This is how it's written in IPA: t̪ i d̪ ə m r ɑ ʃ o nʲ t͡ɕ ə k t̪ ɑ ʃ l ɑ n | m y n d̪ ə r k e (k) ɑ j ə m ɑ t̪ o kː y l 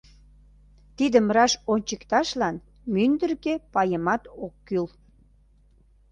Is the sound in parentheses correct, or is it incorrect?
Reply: incorrect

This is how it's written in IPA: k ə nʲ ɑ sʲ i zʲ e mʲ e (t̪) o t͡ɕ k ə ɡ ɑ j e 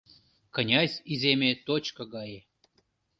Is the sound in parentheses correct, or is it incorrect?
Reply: correct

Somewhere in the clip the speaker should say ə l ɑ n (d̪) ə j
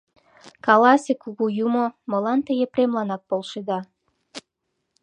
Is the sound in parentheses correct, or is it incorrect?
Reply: incorrect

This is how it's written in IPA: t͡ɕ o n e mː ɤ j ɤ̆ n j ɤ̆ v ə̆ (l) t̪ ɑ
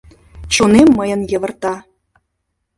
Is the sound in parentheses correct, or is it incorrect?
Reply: incorrect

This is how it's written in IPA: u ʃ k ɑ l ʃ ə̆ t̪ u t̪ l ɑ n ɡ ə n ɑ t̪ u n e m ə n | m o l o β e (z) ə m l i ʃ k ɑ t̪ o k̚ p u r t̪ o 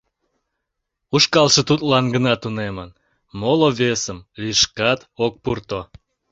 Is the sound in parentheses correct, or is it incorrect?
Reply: incorrect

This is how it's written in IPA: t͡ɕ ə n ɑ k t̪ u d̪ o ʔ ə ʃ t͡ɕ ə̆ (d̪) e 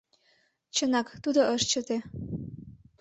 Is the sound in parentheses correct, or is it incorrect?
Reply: incorrect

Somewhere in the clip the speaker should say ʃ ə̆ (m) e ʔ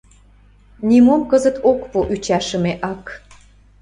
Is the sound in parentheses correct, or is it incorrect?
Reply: correct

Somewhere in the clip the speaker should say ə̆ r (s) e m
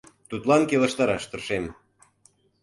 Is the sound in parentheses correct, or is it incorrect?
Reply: incorrect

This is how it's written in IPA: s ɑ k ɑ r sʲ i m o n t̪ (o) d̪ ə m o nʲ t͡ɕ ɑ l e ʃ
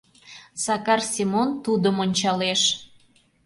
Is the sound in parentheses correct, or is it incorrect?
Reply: incorrect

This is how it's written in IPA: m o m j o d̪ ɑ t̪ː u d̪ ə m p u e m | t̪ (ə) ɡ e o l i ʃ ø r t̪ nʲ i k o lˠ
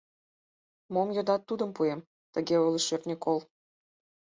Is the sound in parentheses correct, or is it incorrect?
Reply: correct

